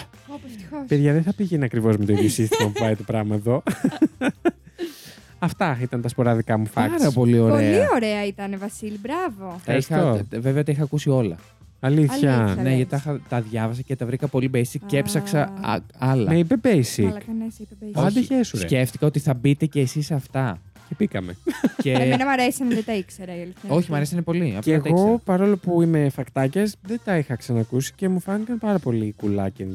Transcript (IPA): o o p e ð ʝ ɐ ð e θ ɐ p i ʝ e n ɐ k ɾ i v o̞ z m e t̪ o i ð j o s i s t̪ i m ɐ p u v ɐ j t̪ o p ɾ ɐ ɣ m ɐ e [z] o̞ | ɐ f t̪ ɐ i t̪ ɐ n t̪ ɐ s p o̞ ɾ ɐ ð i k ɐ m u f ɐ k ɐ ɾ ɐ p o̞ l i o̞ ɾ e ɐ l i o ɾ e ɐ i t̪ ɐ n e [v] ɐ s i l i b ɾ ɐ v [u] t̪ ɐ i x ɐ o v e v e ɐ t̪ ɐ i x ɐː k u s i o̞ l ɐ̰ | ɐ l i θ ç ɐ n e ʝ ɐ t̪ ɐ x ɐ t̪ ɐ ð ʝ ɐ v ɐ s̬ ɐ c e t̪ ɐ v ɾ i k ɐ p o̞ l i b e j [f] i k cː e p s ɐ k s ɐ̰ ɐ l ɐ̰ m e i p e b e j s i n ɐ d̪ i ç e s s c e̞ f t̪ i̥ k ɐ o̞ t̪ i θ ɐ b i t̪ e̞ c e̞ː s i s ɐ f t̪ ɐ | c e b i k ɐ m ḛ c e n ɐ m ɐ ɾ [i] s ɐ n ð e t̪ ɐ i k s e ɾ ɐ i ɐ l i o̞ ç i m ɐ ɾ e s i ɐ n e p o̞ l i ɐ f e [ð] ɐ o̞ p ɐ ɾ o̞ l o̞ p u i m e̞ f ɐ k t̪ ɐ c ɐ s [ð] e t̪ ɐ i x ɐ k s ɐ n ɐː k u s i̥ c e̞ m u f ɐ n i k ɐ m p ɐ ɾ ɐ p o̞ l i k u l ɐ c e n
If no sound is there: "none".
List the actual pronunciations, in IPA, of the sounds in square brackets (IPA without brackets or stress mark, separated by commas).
ð, v, o, s, e, ɣ, ð